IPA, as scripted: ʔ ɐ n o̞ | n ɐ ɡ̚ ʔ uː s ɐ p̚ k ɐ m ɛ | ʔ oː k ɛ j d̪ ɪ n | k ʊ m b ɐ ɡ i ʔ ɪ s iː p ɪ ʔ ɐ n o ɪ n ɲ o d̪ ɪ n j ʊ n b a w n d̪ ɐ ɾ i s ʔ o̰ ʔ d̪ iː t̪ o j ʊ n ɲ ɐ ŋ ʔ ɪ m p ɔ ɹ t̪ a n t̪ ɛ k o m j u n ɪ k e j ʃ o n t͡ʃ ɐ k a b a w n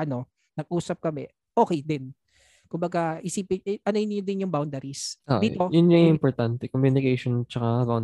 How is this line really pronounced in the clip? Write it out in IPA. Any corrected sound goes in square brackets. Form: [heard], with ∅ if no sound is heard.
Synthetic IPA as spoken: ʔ ɐ n o̞ | n ɐ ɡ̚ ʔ uː s ɐ p̚ k ɐ m ɛ | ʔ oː k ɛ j d̪ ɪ n | k ʊ m b ɐ ɡ [a] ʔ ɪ s iː p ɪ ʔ ɐ n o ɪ n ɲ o d̪ ɪ n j ʊ [ŋ] b a w n d̪ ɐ ɾ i s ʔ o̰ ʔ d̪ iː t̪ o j ʊ n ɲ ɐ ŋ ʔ ɪ m p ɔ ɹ t̪ a n t̪ ɛ k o m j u n ɪ k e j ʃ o n t͡ʃ ɐ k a b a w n